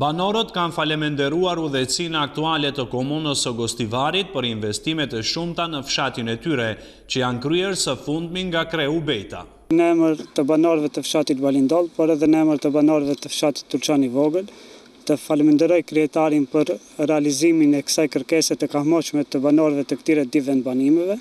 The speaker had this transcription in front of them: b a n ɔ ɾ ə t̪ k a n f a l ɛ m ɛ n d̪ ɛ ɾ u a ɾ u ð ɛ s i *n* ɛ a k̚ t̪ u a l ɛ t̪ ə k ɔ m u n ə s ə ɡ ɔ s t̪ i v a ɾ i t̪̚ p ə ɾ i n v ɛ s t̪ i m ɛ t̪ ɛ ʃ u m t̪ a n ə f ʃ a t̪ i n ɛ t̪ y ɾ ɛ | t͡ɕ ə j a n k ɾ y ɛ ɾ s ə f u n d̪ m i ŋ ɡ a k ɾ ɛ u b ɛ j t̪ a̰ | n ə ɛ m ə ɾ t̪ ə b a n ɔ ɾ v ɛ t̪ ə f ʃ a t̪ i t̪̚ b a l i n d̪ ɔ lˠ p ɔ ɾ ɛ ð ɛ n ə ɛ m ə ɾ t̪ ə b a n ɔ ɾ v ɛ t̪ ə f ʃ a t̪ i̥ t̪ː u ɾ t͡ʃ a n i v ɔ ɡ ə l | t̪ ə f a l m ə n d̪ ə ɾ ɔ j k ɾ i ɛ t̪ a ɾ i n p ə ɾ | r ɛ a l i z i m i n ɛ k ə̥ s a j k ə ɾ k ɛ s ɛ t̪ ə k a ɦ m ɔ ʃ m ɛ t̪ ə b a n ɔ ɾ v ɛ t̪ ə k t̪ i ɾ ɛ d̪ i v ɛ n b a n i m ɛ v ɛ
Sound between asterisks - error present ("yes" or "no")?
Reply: no